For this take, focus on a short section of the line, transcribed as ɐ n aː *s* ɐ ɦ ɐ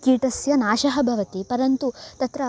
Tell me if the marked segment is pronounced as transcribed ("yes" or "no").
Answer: no